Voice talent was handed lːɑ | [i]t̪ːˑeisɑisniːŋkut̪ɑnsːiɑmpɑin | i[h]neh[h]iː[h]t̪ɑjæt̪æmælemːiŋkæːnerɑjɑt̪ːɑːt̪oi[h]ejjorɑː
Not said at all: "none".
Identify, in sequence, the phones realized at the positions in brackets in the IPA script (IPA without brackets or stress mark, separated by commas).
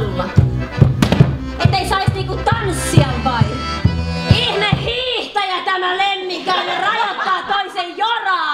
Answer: e, h, h, h, s